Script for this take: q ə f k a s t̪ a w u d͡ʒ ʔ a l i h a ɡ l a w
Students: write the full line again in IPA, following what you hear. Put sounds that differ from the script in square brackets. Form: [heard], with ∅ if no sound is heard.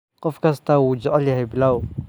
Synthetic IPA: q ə f k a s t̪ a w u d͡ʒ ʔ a l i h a [b] l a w